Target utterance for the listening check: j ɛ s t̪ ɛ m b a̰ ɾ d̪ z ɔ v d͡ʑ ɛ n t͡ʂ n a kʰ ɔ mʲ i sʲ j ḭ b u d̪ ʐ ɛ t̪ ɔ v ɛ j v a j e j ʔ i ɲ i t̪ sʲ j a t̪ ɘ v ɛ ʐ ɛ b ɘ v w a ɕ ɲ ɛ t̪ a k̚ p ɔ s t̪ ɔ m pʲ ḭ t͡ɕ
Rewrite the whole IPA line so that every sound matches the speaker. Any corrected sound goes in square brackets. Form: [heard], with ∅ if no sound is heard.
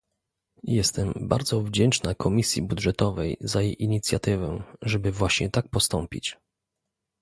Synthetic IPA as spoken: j ɛ s t̪ ɛ m b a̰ ɾ d̪ z ɔ v d͡ʑ ɛ n t͡ʂ n a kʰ ɔ mʲ i sʲ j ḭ b u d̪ ʐ ɛ t̪ ɔ v ɛ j [z] a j e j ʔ i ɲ i t̪ sʲ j a t̪ ɘ v ɛ ʐ ɛ b ɘ v w a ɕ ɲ ɛ t̪ a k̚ p ɔ s t̪ ɔ m pʲ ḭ t͡ɕ